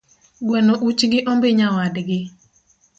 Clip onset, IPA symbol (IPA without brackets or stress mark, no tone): ɡ